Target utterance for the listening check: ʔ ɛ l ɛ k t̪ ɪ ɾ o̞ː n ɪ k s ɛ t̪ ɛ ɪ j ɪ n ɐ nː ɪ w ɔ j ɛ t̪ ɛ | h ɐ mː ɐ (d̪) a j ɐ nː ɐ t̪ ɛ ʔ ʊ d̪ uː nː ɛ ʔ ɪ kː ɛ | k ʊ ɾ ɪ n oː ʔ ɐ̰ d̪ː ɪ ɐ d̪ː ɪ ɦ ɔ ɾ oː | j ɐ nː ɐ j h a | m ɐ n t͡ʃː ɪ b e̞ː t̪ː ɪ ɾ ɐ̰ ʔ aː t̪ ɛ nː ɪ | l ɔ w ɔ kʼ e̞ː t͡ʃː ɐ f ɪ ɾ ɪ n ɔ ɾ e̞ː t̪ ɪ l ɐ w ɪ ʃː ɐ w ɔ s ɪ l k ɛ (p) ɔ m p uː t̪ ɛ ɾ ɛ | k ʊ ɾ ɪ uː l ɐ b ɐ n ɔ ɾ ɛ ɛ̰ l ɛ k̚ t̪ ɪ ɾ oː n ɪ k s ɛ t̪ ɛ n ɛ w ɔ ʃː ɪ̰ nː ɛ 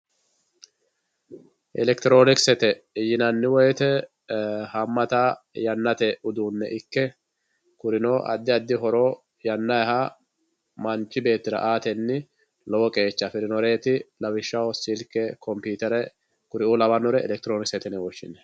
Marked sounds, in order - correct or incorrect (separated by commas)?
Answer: incorrect, incorrect